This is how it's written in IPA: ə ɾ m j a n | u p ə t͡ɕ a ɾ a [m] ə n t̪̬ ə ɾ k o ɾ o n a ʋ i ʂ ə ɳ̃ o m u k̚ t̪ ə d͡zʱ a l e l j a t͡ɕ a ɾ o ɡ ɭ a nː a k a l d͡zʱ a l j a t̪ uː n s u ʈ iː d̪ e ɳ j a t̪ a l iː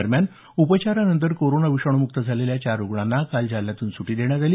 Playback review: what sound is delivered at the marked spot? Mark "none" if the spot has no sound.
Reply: n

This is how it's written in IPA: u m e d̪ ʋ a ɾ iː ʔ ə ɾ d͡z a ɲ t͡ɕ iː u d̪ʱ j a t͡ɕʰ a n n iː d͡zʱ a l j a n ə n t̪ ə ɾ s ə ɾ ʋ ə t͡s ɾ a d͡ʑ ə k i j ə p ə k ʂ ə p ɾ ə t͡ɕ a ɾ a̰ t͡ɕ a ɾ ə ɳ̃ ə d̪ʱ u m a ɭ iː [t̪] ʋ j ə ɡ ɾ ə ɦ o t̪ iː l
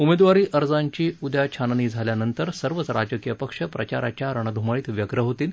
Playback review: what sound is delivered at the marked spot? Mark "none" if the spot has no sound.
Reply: t̪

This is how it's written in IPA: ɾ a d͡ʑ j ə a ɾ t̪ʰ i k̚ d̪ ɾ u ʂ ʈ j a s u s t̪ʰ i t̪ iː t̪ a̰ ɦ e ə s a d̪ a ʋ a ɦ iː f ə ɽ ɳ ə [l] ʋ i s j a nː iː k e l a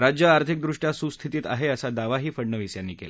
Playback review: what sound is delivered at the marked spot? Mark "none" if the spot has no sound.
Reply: none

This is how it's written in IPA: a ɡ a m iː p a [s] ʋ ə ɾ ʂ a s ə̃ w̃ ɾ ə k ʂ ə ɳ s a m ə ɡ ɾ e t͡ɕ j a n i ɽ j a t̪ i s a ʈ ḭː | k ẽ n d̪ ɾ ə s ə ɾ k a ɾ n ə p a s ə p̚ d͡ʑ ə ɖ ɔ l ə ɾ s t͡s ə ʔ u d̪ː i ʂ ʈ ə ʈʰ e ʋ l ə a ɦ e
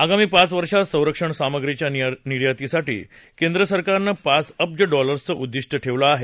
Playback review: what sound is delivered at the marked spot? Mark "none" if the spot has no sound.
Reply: t͡s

